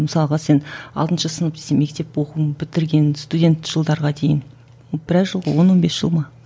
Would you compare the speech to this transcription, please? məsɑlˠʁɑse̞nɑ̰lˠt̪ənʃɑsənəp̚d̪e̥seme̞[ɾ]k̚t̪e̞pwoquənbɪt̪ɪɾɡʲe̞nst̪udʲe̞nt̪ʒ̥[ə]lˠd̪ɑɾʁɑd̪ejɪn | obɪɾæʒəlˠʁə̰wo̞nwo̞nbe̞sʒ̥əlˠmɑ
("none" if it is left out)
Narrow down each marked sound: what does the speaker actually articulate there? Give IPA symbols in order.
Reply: none, ə

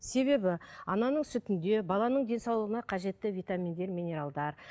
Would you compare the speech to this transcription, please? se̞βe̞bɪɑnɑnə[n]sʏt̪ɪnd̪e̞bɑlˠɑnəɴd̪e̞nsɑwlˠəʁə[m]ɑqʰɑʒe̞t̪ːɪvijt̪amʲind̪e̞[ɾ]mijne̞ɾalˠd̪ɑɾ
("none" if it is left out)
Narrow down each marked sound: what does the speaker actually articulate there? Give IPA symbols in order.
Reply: ɴ, n, ɾ

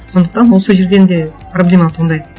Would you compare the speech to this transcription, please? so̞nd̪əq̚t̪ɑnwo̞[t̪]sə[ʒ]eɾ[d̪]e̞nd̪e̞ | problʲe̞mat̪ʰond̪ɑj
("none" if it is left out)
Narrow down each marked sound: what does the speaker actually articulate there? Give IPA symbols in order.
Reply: none, ʒ, d̪

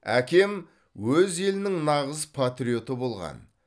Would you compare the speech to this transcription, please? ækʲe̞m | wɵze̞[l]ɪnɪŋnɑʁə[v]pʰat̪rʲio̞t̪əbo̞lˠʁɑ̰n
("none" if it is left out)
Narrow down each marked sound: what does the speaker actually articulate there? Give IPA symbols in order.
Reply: l, z

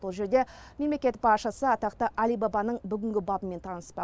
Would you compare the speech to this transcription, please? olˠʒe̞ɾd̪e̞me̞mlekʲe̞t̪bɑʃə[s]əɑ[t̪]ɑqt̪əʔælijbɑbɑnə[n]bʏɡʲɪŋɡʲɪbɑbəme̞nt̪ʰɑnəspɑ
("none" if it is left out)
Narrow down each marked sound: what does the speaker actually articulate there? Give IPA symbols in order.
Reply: s, t̪, ɴ

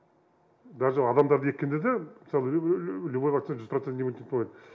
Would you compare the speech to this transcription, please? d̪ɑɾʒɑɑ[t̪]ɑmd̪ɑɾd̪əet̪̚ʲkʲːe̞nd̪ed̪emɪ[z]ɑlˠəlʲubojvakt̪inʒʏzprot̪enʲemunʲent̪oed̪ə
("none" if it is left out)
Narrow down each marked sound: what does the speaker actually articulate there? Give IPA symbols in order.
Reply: d̪, s

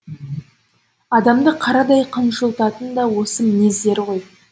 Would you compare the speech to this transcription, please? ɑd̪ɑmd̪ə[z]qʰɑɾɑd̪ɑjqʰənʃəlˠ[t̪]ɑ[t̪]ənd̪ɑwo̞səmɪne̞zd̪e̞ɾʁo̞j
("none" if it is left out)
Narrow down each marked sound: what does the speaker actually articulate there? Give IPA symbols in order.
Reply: none, t̪, t̪

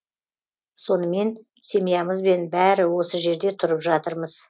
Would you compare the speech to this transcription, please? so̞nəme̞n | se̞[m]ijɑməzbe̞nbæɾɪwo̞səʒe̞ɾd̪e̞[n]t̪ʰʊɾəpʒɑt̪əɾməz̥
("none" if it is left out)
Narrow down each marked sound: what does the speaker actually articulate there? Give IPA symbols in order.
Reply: m, none

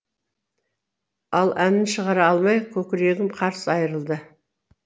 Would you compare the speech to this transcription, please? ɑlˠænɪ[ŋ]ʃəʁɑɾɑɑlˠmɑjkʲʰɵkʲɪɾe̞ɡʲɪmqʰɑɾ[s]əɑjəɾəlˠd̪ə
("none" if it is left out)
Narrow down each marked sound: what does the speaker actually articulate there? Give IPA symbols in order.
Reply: n, s

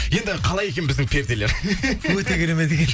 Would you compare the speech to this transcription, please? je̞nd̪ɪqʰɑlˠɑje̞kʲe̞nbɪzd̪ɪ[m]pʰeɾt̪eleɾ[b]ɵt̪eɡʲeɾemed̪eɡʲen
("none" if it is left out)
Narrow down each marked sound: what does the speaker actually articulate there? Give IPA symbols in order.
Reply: ŋ, w

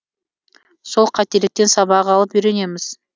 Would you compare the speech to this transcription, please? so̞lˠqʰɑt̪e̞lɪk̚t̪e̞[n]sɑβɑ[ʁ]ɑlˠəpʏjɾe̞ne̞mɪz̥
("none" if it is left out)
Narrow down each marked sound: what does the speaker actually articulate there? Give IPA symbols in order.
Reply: n, ʁ

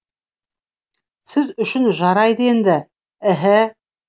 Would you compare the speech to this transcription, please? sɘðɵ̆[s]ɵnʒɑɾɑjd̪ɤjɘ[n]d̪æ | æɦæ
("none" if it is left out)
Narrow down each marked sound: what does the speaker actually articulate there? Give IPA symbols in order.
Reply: ʃ, n

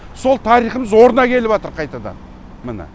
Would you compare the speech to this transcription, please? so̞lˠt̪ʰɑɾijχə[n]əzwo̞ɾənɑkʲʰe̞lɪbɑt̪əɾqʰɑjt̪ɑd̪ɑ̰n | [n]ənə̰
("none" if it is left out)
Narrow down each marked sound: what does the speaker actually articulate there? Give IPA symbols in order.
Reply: m, m

